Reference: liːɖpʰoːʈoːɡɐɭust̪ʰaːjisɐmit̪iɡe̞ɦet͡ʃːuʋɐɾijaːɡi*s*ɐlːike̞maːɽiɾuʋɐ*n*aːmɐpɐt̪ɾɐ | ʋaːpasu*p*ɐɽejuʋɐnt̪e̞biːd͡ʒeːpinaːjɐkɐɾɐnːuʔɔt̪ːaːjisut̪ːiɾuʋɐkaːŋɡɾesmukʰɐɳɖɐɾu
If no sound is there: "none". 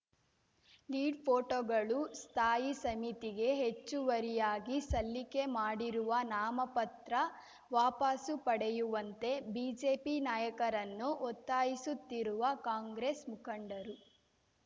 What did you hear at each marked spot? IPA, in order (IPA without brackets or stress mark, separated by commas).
s, n, p